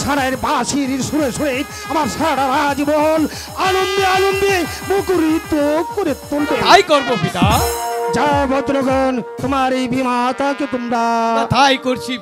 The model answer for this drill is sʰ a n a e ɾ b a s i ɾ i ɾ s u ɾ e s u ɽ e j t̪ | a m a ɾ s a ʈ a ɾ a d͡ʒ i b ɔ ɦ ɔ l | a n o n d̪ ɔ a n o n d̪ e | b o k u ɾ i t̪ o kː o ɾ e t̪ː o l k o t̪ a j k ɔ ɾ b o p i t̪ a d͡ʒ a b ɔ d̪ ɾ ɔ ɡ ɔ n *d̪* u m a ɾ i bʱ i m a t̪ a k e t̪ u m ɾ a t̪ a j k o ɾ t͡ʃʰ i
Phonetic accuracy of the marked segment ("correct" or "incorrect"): incorrect